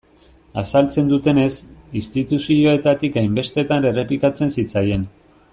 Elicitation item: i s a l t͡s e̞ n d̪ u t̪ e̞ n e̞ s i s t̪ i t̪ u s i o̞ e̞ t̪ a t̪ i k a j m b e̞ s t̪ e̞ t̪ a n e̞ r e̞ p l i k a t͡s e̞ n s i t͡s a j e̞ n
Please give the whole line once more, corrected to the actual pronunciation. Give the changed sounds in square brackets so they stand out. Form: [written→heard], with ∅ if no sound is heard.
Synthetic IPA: [i→a] s a l t͡s e̞ n d̪ u t̪ e̞ n e̞ s i s t̪ i t̪ u s i o̞ e̞ t̪ a t̪ i k a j m b e̞ s t̪ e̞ t̪ a n e̞ r e̞ p l i k a t͡s e̞ n s i t͡s a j e̞ n